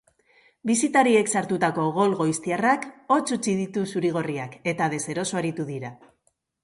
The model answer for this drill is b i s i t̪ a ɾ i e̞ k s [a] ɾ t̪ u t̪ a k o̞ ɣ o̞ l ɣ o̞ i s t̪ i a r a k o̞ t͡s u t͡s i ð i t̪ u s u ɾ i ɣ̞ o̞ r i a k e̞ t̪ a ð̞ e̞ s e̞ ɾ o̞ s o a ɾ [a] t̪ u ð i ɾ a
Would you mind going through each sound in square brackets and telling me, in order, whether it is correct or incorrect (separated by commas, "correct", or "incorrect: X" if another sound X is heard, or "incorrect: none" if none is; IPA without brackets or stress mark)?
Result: correct, incorrect: i